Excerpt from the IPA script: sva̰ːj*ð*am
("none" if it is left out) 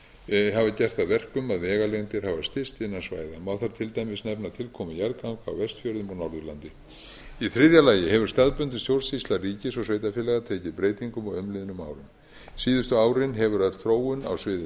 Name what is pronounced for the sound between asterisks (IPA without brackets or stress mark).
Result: ð